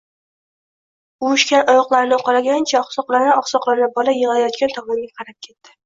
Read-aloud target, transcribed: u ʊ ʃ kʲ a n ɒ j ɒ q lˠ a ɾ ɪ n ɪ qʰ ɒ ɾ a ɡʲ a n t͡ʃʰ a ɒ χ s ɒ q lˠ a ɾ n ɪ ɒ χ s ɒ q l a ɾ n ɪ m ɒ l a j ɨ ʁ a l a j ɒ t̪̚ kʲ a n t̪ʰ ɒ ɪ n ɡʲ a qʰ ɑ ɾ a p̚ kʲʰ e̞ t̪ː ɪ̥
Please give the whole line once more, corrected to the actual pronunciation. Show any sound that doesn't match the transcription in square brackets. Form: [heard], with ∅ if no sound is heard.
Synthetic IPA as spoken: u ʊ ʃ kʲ a n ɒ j ɒ q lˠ a ɾ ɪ n ɪ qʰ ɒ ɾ a ɡʲ a n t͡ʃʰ a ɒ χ s ɒ q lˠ a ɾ n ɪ ɒ χ s ɒ q l a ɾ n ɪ [b] ɒ l a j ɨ ʁ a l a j ɒ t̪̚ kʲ a n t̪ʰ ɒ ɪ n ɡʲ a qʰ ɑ ɾ a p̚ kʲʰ e̞ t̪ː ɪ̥